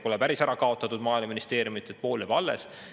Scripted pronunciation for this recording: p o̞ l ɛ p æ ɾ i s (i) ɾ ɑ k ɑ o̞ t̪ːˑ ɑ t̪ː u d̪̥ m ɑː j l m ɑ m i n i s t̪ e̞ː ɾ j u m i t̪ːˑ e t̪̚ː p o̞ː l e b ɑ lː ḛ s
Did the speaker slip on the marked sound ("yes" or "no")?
yes